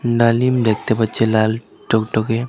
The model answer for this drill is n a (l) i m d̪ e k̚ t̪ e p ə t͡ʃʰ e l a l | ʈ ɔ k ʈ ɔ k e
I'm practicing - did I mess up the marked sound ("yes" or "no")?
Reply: no